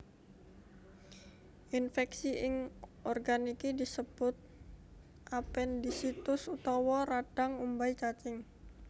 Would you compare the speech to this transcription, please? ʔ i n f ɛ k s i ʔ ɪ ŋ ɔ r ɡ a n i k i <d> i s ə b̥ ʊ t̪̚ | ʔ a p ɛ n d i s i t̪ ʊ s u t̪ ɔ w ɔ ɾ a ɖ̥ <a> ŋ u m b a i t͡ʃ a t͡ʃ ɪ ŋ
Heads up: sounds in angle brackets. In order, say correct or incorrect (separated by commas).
correct, correct